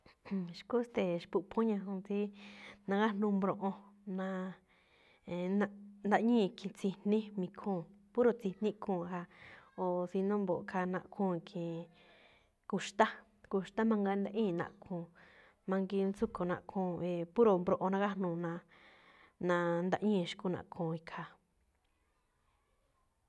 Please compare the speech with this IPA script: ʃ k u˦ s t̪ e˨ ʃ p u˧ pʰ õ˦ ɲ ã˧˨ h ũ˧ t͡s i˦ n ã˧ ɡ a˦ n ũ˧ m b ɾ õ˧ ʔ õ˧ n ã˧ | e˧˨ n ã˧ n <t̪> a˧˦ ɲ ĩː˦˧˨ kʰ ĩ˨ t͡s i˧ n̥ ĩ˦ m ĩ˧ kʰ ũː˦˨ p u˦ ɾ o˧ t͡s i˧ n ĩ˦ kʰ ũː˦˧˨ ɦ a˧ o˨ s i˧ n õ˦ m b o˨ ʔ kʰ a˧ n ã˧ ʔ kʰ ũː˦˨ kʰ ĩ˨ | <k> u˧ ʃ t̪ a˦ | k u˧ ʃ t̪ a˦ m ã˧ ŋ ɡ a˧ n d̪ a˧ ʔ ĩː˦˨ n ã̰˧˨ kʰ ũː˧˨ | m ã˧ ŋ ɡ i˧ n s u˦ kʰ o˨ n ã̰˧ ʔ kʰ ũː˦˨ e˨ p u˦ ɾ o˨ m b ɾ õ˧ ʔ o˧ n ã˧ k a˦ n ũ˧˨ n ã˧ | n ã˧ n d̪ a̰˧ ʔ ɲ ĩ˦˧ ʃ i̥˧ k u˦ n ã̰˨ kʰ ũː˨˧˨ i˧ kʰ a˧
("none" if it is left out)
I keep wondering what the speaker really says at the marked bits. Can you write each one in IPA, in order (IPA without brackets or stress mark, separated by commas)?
d̪, k